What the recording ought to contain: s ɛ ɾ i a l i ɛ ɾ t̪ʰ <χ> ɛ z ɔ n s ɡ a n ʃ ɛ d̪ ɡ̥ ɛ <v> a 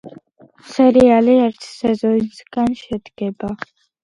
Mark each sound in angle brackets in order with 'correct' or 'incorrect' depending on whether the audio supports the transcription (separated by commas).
incorrect, incorrect